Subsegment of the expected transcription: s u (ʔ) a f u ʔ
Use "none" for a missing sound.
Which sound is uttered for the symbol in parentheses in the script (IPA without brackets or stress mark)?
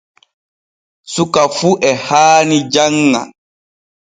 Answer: k